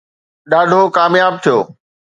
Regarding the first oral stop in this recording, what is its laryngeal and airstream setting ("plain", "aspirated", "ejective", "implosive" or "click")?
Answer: implosive